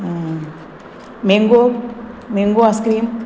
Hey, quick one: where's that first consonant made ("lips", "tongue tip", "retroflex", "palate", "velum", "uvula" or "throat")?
lips